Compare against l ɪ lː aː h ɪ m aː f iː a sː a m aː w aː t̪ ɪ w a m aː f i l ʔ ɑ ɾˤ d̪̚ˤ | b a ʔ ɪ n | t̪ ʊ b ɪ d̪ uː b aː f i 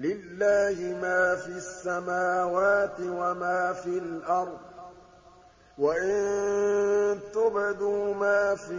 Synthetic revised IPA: l ɪ lː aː h ɪ m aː f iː a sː a m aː w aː t̪ ɪ w a m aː f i l ʔ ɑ ɾˤ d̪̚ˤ | w a ʔ ɪ n | t̪ ʊ b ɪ d̪ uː m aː f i